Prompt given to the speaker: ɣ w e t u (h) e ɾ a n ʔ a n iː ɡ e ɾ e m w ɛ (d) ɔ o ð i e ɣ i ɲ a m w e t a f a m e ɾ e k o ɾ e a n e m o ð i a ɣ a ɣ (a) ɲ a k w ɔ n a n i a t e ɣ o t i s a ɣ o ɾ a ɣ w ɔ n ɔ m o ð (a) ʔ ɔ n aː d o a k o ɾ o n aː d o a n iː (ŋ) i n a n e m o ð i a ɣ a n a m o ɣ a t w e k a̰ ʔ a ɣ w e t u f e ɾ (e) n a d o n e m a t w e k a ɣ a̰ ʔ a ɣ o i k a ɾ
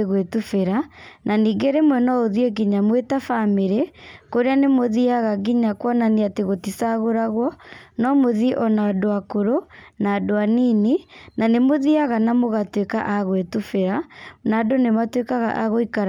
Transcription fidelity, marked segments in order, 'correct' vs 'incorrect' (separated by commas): incorrect, incorrect, incorrect, incorrect, incorrect, incorrect